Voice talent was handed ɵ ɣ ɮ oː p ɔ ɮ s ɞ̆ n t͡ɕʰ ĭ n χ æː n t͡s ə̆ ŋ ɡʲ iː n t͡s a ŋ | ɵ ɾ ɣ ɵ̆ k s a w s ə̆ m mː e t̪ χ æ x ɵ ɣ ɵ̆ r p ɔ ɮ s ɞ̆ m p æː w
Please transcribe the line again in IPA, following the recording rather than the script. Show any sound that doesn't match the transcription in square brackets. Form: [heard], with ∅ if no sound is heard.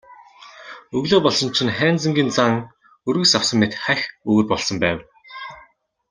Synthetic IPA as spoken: ɵ ɣ ɮ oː p ɔ ɮ s ɞ̆ n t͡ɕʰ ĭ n χ æː n t͡s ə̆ ŋ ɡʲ iː n t͡s a ŋ | ɵ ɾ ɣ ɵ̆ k s a w s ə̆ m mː e t̪ χ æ x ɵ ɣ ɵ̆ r p ɔ ɮ s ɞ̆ m p æː w

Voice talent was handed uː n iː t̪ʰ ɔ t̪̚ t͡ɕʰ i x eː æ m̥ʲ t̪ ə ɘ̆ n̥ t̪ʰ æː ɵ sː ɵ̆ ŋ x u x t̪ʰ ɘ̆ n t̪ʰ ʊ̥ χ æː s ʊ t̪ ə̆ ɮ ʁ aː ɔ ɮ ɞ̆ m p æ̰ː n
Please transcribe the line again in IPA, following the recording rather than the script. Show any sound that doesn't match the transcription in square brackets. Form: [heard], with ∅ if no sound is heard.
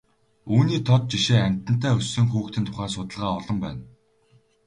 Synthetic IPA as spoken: uː n iː t̪ʰ ɔ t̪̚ [t͡ɕ] i [ʃ] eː æ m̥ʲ t̪ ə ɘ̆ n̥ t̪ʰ æː ɵ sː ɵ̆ ŋ x [uː] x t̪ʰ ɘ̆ n t̪ʰ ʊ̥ χ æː s ʊ t̪ ə̆ ɮ ʁ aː ɔ ɮ ɞ̆ m p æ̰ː n

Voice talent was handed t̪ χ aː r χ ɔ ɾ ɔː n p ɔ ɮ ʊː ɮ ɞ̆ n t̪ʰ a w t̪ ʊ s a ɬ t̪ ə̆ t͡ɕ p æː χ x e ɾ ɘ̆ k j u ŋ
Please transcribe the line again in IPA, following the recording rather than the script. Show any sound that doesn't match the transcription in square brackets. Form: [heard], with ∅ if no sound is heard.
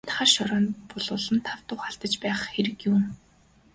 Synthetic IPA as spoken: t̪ χ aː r [ʃ] ɔ ɾ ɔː n p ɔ ɮ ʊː ɮ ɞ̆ n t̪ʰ a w t̪ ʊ [χ] a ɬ t̪ ə̆ t͡ɕ p æː χ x e ɾ ɘ̆ k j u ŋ

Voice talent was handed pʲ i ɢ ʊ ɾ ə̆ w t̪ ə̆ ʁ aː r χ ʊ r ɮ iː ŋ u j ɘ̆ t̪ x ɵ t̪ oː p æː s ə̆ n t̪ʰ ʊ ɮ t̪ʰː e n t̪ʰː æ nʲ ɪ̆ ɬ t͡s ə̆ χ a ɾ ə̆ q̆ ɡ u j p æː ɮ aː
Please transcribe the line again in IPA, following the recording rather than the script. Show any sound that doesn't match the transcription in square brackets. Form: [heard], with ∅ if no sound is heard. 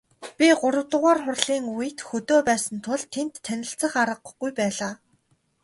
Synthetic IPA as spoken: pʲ i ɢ ʊ ɾ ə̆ w t̪ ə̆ ʁ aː r χ ʊ r ɮ iː ŋ u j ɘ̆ t̪ x ɵ t̪ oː p æː s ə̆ n t̪ʰ ʊ ɮ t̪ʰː e n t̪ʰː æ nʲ ɪ̆ ɬ t͡s ə̆ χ a ɾ ə̆ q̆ ɡ u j p æː ɮ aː

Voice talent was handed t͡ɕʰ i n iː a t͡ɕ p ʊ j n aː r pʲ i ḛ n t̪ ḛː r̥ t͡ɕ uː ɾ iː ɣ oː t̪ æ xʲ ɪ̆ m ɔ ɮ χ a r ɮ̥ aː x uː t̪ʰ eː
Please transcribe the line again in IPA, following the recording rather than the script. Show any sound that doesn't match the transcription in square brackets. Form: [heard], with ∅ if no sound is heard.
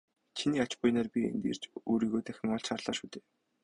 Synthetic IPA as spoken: t͡ɕʰ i n iː a t͡ɕ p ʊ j n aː r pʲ i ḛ n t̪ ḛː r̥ t͡ɕ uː ɾ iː ɣ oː t̪ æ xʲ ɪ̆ [ŋ] ɔ ɮ [ʃ] a r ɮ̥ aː [ʃ] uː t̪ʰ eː

